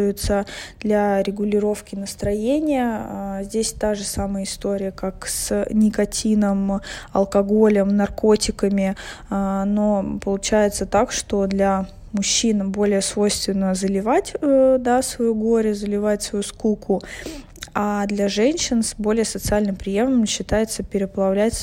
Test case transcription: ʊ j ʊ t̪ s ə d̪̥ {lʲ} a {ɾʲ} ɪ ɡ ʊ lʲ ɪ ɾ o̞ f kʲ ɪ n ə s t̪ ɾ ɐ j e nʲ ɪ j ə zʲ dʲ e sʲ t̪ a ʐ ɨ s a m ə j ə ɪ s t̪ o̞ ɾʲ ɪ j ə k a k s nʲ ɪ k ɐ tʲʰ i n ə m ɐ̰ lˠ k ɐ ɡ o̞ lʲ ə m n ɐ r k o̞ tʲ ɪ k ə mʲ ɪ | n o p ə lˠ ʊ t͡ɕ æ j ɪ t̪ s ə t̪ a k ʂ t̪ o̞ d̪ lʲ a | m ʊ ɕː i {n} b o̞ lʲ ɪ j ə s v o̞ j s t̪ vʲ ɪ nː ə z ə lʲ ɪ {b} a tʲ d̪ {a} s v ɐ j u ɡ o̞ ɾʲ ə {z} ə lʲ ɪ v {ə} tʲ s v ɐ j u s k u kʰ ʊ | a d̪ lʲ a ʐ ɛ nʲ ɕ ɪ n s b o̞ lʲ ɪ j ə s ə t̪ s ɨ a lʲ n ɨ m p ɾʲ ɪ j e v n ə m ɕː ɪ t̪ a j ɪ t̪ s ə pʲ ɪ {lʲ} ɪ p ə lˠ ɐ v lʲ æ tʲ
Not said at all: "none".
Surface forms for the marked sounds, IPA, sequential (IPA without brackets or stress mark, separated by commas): lʲ, ɾʲ, n, v, a, z, a, ɾʲ